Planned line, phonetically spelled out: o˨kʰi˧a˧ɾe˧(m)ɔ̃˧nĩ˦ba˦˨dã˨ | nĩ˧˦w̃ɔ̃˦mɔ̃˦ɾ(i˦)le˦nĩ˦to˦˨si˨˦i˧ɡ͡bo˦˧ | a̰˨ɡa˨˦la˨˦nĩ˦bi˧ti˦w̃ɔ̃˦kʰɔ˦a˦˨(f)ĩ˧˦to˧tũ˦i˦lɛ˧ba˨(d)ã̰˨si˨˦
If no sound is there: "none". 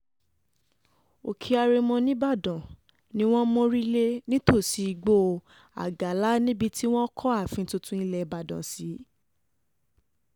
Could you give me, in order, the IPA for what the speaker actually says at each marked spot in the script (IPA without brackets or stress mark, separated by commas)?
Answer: m, i˦, f, d